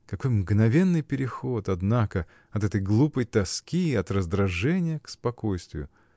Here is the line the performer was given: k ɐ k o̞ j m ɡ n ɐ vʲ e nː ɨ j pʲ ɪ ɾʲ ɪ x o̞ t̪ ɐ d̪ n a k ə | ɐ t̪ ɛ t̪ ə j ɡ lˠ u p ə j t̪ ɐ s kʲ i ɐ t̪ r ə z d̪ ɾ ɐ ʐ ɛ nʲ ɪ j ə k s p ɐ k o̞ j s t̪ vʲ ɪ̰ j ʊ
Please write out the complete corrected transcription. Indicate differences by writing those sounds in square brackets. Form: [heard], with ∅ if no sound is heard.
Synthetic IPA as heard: k ɐ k o̞ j m ɡ n ɐ vʲ e nː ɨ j pʲ ɪ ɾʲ ɪ x o̞ t̪ ɐ d̪ n a k ə | ɐ t̪ ɛ t̪ ə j ɡ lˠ u p ə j t̪ ɐ s kʲ i ɐ t̪ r ə z d̪ ɾ ɐ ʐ ɛ nʲ ɪ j ə k s p ɐ k o̞ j s t̪ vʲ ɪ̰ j ʊ